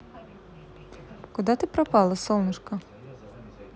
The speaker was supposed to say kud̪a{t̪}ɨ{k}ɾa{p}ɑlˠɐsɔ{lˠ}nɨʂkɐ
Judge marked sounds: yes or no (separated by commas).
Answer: yes, no, yes, yes